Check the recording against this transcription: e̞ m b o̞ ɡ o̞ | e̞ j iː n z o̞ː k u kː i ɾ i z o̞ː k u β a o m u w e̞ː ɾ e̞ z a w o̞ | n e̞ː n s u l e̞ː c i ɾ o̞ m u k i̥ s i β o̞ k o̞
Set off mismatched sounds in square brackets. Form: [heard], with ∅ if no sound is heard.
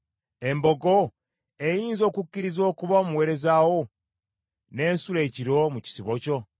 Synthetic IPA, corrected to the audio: e̞ m b o̞ ɡ o̞ | e̞ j iː n z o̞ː k u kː i ɾ i z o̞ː k u β a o m u w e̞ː ɾ e̞ z a w o̞ | n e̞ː n s u l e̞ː c i ɾ o̞ m u [c] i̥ s i β o̞ [c] o̞